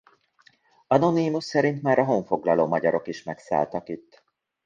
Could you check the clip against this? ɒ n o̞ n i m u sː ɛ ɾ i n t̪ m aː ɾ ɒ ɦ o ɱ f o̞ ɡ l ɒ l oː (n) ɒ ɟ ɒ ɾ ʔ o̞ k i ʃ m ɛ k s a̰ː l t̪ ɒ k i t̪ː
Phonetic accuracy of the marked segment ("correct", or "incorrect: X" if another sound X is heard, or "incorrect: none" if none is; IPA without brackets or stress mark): incorrect: m